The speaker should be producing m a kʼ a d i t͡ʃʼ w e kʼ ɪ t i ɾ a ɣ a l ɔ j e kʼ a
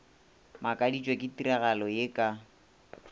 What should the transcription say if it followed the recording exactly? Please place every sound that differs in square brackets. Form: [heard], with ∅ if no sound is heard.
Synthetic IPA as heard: m a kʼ a d i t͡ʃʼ w e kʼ ɪ t i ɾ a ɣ a l ɔ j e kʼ a